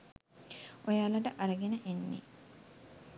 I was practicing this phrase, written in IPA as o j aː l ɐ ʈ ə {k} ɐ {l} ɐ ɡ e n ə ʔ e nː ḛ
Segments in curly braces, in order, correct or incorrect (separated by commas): incorrect, incorrect